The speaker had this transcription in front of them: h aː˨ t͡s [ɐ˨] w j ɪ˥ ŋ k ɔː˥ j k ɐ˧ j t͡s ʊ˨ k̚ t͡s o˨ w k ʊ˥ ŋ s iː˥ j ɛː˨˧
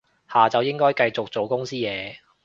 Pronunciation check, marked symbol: correct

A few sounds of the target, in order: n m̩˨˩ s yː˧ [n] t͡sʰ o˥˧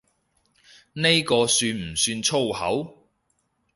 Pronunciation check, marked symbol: correct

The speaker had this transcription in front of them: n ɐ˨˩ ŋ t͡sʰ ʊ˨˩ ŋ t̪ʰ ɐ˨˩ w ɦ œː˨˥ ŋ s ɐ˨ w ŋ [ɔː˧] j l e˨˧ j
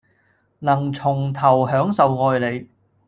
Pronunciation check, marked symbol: correct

